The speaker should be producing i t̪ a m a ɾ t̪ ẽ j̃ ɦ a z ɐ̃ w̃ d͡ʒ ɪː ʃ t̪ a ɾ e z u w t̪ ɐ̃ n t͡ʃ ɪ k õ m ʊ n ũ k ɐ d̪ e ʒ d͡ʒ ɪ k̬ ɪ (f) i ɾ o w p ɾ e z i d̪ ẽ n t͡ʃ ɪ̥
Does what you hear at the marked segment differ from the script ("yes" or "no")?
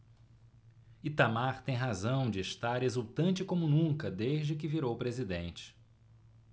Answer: yes